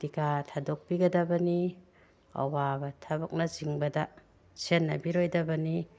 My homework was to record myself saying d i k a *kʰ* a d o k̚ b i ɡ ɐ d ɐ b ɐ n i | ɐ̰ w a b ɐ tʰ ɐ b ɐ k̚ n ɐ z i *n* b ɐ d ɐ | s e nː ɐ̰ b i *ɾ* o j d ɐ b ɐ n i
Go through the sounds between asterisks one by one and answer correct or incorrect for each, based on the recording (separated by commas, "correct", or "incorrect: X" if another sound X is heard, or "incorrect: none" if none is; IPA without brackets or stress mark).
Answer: incorrect: tʰ, incorrect: ŋ, correct